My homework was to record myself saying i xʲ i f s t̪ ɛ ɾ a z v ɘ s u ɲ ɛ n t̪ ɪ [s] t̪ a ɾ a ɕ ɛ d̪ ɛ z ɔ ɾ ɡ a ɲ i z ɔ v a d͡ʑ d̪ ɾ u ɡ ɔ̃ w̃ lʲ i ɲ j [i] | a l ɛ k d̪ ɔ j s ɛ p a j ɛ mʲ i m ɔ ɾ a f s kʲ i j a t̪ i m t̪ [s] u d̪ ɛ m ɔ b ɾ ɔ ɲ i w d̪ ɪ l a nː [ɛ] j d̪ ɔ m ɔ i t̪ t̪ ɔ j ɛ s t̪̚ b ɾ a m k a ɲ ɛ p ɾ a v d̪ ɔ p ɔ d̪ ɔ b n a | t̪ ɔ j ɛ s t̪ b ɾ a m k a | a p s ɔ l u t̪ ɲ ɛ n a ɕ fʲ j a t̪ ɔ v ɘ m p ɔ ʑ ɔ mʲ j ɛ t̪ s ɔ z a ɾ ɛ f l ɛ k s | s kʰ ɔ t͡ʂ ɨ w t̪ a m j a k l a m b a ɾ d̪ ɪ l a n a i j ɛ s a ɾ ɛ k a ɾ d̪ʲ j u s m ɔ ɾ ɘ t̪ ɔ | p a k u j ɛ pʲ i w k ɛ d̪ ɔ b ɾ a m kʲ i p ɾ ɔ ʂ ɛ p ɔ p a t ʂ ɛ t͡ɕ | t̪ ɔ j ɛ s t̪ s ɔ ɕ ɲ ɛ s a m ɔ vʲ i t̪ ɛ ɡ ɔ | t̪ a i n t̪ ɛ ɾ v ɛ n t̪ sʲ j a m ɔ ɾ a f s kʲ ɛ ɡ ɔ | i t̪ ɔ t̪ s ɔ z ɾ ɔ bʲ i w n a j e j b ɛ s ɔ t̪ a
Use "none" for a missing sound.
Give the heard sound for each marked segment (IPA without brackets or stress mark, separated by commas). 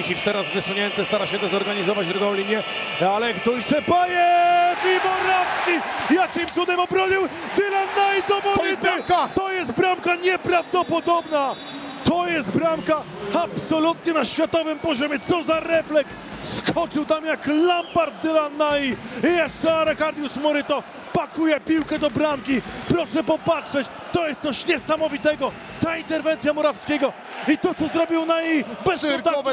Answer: s, ɛ, s, a